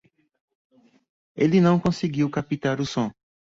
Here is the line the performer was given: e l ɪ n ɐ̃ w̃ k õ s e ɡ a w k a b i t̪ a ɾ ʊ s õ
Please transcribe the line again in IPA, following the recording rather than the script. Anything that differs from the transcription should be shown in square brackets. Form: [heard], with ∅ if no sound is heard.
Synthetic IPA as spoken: e l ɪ n ɐ̃ w̃ k õ s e ɡ [i] w k a [p] i t̪ a ɾ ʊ s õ